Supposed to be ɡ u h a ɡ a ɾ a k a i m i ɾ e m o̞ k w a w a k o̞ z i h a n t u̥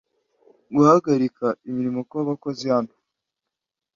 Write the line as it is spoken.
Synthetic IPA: ɡ u h a ɡ a ɾ i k a i m i ɾ i m o̞ k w a β a k o̞ z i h a n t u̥